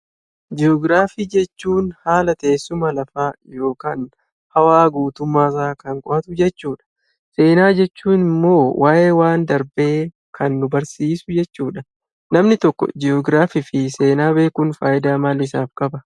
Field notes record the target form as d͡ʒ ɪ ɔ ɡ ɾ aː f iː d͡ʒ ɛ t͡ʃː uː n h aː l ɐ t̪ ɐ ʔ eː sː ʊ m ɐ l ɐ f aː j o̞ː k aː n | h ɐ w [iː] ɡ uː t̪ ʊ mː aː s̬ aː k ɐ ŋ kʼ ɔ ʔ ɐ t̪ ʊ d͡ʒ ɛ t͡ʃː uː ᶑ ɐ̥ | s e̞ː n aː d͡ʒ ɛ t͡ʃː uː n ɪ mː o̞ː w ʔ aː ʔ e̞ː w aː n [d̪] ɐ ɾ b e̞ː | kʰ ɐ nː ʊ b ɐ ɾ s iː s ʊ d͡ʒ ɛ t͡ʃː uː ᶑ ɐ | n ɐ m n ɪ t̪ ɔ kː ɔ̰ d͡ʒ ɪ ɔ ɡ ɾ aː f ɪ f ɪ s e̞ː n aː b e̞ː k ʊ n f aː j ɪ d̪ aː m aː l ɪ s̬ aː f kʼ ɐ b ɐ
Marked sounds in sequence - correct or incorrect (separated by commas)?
incorrect, correct